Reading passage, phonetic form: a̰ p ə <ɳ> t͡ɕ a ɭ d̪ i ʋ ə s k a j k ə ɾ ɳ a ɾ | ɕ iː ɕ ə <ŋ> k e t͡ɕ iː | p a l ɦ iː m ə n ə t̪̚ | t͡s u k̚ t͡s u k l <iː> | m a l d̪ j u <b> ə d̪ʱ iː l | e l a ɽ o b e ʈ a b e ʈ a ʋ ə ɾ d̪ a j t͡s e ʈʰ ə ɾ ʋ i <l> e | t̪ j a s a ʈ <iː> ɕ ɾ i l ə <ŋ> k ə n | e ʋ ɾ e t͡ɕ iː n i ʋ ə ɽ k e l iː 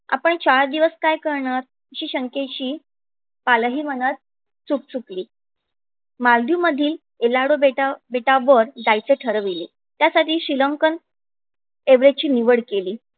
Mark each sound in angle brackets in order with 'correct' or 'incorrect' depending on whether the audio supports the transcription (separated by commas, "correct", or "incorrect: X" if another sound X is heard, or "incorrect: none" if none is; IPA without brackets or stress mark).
correct, correct, correct, incorrect: m, correct, correct, correct